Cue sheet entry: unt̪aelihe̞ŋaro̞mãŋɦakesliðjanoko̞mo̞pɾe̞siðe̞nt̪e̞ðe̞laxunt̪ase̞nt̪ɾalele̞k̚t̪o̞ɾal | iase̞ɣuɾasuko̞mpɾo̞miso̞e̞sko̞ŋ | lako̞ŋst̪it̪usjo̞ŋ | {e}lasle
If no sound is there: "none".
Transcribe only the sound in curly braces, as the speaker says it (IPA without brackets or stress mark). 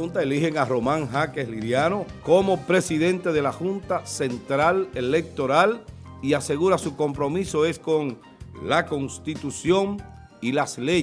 i